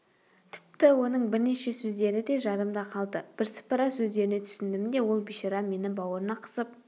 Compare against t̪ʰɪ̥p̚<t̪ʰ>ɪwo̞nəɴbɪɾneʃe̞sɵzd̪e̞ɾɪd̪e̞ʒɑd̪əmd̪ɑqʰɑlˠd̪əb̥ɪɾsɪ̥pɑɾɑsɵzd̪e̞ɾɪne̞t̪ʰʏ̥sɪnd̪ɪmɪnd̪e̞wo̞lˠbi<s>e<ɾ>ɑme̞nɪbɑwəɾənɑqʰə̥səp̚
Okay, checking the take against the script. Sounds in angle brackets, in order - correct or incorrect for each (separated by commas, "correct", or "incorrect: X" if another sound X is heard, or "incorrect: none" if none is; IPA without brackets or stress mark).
incorrect: t̪, incorrect: ʃ, correct